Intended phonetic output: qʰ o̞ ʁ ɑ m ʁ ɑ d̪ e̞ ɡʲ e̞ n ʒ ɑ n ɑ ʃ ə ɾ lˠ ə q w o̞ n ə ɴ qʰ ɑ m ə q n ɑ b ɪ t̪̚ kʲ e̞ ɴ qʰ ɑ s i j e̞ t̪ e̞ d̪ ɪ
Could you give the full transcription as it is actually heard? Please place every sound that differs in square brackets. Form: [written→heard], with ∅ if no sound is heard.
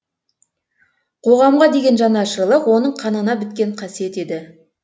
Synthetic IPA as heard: qʰ o̞ ʁ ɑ m ʁ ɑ d̪ e̞ ɡʲ e̞ n ʒ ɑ n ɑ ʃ ə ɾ lˠ ə q w o̞ n ə ɴ qʰ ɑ [m→n] ə [q→∅] n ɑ b ɪ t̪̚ kʲ e̞ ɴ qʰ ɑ s i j e̞ t̪ e̞ d̪ ɪ